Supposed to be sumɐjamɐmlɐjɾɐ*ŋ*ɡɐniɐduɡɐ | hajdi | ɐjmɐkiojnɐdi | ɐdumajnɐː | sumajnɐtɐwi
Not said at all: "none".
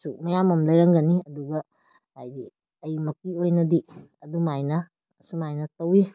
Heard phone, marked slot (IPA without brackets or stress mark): ŋ